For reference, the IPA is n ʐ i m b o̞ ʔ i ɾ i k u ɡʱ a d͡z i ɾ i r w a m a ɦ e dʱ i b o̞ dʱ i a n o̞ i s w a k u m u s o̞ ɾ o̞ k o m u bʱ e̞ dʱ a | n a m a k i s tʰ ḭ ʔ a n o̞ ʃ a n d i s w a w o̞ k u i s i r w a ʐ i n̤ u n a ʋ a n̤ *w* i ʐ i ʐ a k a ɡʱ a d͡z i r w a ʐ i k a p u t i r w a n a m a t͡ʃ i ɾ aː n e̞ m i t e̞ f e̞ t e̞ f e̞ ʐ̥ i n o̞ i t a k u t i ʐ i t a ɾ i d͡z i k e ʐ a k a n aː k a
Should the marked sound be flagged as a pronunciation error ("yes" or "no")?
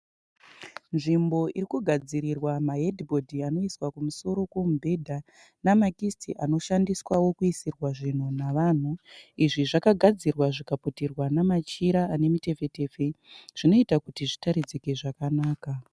yes